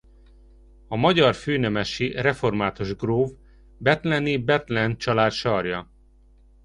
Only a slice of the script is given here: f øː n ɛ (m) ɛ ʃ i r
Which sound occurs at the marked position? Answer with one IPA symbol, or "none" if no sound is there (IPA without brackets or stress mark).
m